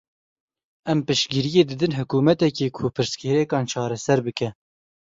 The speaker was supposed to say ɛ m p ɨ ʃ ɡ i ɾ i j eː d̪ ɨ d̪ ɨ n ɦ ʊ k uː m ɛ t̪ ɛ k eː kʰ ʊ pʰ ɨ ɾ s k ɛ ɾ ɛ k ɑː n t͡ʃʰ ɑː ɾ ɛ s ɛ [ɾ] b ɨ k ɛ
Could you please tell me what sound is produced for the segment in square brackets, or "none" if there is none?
ɾ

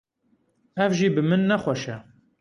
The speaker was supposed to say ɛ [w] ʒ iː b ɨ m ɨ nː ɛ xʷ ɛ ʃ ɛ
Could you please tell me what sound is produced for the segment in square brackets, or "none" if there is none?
v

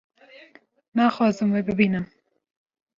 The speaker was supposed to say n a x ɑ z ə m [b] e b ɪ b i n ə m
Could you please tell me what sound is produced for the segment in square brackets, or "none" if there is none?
w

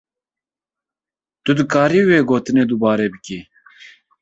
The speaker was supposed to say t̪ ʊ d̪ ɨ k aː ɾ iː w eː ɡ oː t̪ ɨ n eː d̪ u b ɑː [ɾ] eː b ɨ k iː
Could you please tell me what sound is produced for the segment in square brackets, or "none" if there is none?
ɾ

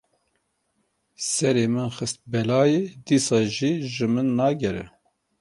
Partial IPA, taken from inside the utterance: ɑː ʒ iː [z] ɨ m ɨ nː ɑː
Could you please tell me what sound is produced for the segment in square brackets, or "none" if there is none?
ʒ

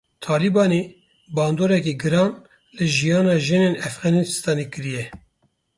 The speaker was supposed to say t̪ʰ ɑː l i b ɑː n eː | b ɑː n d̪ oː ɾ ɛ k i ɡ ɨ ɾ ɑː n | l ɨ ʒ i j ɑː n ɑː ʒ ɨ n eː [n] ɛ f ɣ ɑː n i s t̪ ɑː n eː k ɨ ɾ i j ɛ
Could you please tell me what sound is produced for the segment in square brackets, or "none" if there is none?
n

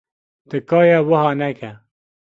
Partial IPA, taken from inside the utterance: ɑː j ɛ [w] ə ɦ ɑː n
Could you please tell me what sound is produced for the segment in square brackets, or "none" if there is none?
w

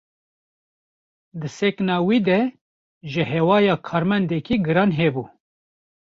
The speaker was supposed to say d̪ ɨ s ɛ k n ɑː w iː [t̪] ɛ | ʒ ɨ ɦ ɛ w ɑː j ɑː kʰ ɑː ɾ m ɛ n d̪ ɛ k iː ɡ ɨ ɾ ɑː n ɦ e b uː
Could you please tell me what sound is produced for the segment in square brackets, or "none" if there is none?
d̪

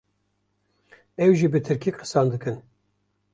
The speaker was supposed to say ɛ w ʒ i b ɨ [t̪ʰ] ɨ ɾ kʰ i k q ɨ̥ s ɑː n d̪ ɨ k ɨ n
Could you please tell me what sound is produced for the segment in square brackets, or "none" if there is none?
t̪ʰ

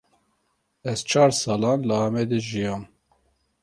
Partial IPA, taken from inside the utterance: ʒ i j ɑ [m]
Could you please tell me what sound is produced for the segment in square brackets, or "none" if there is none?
m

